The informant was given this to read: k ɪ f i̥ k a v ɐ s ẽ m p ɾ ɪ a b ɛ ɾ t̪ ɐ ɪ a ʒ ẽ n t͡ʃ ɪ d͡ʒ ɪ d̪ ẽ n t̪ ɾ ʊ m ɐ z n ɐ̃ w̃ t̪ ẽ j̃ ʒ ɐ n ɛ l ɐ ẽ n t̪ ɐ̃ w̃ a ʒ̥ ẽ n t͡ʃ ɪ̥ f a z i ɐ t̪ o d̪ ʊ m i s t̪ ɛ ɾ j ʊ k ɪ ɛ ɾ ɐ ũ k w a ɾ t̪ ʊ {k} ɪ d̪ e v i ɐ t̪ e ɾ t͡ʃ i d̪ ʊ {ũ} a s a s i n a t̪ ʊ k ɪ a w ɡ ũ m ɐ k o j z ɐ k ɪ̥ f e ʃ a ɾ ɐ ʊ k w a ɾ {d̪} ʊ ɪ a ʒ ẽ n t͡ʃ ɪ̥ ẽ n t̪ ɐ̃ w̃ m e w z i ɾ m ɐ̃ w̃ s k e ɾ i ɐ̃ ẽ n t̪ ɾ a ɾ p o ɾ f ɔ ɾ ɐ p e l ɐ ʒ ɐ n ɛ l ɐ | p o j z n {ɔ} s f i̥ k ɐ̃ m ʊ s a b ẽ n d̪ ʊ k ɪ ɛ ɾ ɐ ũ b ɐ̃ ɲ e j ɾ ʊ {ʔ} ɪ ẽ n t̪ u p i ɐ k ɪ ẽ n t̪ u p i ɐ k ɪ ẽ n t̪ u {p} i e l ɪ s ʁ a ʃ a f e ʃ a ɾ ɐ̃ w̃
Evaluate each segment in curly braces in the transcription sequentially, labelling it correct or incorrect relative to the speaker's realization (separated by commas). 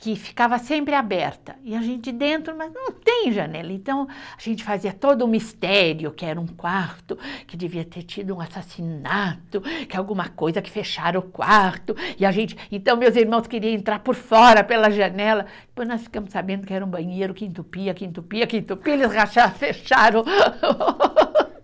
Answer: correct, correct, incorrect, correct, incorrect, correct